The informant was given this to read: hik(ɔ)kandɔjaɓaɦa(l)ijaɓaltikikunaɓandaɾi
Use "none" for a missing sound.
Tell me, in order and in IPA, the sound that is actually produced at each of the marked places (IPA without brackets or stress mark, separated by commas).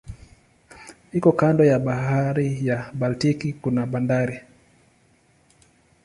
ɔ, ɾ